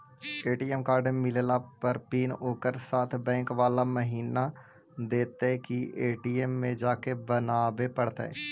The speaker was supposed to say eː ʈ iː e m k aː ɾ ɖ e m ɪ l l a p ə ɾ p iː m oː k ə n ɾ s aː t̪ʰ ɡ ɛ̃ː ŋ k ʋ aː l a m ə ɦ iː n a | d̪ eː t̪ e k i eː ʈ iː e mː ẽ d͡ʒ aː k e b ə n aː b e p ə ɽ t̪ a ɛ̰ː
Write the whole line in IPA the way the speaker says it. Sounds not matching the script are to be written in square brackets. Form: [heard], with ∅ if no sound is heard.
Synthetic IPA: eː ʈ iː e m k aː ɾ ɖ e m ɪ l l a p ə ɾ p iː [n] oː k ə [∅] ɾ s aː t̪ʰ [b] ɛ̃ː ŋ k ʋ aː l a m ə ɦ iː n a | d̪ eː t̪ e k i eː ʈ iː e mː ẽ d͡ʒ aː k e b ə n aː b e p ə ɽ t̪ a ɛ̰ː